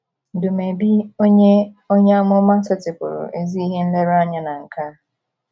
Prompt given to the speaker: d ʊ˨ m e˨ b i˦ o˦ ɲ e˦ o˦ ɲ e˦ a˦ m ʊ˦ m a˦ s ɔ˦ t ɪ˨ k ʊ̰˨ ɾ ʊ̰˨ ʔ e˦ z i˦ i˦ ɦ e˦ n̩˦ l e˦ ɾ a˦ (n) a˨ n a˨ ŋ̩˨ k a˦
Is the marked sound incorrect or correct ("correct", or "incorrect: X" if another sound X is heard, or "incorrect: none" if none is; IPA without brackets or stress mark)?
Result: incorrect: ɲ